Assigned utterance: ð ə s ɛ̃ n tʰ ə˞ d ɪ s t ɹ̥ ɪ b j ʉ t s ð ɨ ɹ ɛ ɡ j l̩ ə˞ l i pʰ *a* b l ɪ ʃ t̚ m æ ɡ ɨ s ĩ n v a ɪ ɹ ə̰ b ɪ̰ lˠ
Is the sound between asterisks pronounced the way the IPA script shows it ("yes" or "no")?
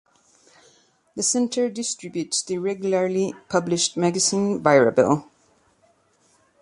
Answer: no